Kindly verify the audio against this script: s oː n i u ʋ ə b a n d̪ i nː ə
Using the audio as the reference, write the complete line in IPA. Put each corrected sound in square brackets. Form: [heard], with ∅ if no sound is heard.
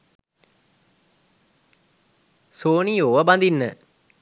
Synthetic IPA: s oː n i [o] ʋ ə b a n d̪ i nː ə